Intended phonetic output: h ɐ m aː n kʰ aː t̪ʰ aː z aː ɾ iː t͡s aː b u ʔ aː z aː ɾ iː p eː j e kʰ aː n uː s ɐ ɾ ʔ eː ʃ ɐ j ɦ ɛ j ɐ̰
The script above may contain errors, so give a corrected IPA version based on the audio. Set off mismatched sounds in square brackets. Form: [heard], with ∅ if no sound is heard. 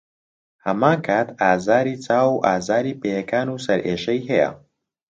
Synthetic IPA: h ɐ m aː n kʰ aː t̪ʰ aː z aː ɾ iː t͡s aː [w] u ʔ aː z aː ɾ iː p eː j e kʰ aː n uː s ɐ ɾ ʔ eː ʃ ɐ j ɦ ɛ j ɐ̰